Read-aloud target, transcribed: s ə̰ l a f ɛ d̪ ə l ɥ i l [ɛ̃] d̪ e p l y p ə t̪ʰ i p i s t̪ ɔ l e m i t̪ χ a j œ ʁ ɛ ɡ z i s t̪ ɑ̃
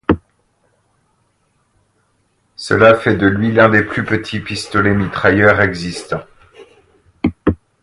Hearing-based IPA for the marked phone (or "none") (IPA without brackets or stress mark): ɛ̃